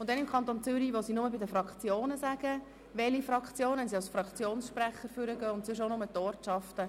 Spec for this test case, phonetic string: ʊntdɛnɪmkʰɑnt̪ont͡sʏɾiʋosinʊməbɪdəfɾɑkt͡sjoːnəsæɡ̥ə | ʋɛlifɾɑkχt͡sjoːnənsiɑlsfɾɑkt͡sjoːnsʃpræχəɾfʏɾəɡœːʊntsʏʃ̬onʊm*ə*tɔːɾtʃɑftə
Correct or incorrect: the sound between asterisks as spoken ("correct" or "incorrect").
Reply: correct